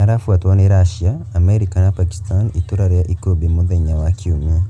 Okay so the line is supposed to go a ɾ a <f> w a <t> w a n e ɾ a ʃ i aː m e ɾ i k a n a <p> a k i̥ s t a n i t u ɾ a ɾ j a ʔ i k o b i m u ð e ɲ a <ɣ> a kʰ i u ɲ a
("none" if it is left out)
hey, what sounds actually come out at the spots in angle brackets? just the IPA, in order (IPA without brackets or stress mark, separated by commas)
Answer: f, t, p, w